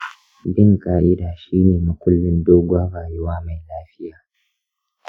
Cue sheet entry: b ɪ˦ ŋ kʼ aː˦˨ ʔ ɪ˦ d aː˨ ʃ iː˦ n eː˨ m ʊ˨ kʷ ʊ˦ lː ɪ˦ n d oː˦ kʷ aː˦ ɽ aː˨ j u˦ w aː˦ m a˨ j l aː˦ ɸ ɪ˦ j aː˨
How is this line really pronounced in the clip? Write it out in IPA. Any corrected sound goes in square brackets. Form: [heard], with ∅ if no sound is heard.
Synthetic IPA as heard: b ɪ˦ ŋ kʼ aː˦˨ ʔ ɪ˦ d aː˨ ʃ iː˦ n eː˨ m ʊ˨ kʷ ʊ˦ lː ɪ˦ n d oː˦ [ɡʷ] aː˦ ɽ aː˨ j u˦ w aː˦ m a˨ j l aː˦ ɸ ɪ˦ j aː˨